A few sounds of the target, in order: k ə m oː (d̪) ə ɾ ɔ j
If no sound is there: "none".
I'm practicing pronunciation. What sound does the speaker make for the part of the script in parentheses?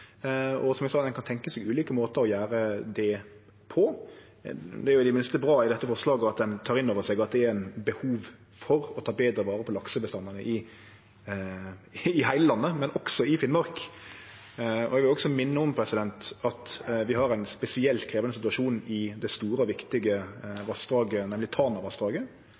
t̪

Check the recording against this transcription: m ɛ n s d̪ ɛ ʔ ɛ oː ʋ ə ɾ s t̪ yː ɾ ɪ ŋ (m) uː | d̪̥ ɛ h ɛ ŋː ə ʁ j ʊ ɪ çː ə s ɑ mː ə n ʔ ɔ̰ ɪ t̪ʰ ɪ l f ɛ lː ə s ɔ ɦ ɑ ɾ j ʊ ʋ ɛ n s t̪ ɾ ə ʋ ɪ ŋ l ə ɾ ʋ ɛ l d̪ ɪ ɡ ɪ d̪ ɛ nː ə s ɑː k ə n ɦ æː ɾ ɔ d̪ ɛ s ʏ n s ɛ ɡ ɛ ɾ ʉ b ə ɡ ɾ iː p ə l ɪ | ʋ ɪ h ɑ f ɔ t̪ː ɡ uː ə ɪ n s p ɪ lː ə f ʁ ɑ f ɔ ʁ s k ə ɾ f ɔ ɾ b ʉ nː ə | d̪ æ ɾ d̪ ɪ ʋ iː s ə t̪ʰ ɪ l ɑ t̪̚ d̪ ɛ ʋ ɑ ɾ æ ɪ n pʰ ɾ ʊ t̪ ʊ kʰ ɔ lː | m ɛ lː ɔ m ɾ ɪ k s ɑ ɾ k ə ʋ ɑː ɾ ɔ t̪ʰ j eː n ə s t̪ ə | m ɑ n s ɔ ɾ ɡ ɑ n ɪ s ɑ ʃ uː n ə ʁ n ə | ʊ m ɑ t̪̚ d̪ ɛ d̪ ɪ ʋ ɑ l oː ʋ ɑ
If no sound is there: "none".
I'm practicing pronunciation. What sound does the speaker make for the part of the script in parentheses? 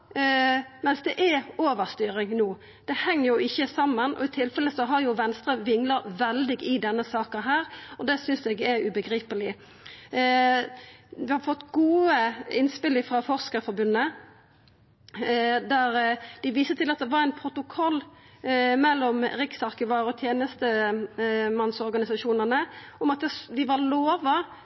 n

